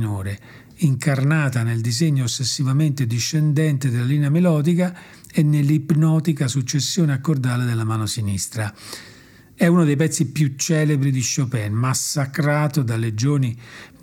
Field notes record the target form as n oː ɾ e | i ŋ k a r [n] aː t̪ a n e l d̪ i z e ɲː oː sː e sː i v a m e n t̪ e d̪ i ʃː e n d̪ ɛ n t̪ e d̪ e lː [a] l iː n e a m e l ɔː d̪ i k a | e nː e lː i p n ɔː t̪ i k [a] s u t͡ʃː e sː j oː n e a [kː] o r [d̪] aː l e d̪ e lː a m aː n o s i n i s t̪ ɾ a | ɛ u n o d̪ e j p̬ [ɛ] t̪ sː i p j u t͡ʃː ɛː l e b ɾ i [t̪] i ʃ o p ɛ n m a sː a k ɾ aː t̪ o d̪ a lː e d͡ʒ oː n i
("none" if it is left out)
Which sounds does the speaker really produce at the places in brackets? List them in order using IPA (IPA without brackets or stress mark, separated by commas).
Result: n, a, a, kː, d̪, ɛ, d̪